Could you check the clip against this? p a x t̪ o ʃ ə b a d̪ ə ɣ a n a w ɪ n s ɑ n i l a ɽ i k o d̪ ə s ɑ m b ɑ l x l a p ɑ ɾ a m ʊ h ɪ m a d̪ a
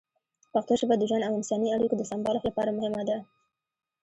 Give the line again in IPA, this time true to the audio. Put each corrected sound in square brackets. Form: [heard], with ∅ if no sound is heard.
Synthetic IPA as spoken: p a x t̪ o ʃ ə b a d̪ ə [ʒ] a n a w ɪ n s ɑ n i [∅] a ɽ i k o d̪ ə s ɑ m b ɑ l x l a p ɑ ɾ a m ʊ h ɪ m a d̪ a